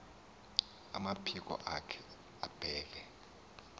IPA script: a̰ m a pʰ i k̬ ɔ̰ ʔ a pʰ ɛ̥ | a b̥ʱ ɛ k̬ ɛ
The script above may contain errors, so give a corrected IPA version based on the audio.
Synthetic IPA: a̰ m a pʰ i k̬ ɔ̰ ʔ a kʰ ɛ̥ | a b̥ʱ ɛː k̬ ɛ